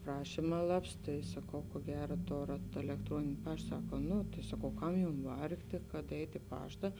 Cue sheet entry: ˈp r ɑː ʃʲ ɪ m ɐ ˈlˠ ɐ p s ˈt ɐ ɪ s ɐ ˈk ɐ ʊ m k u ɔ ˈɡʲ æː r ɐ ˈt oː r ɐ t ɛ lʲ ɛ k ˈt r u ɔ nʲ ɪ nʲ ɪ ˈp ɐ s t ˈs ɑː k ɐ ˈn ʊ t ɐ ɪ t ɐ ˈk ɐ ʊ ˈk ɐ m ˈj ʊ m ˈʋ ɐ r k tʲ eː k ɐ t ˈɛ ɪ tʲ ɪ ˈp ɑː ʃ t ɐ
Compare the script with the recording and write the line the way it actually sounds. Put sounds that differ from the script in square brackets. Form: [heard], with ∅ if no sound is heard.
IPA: ˈp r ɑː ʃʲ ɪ m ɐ ˈlˠ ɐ p s ˈt ɐ ɪ s ɐ ˈk ɐ ʊ [∅] k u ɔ ˈɡʲ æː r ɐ ˈt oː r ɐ t ɛ lʲ ɛ k ˈt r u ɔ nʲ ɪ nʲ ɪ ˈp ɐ [ʃ] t ˈs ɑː k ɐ ˈn ʊ t ɐ ɪ [s] ɐ ˈk ɐ ʊ ˈk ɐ m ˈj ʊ m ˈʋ ɐ r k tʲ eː k ɐ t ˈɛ ɪ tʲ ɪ ˈp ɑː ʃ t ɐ

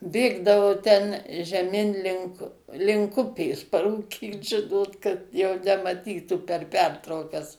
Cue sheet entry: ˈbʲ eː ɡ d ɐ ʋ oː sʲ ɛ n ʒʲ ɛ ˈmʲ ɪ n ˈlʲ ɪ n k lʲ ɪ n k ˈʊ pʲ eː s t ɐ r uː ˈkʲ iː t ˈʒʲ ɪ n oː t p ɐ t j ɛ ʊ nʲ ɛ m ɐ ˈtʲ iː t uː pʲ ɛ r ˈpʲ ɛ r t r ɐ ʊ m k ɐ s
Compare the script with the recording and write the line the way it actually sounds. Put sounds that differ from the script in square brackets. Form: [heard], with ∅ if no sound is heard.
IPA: ˈbʲ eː ɡ d ɐ ʋ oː [tʲ] ɛ n ʒʲ ɛ ˈmʲ ɪ n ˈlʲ ɪ [ŋ] k lʲ ɪ [ŋ] k ˈʊ pʲ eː s [p] ɐ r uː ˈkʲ iː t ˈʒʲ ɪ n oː t [k] ɐ t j ɛ ʊ nʲ ɛ m ɐ ˈtʲ iː t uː pʲ ɛ r ˈpʲ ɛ r t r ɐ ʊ [∅] k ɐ s

